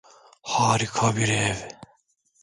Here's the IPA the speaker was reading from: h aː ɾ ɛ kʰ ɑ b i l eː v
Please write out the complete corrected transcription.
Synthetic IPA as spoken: h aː ɾ i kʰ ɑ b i ɾ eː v